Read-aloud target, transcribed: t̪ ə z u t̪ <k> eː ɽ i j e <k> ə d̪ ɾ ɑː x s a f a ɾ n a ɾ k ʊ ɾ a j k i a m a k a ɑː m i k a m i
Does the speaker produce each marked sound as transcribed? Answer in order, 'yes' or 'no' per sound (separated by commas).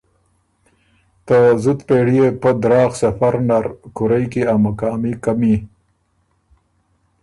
no, no